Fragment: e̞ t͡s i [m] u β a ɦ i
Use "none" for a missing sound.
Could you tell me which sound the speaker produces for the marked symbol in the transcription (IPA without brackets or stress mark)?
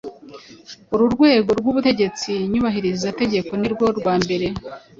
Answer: ɲ